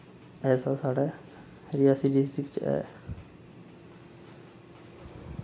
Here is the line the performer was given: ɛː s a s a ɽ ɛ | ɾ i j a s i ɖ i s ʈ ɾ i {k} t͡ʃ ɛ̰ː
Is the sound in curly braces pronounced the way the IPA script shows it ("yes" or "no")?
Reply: yes